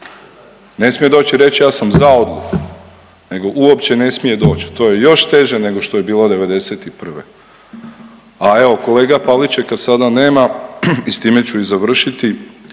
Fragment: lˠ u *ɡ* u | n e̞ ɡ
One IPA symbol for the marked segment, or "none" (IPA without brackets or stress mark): k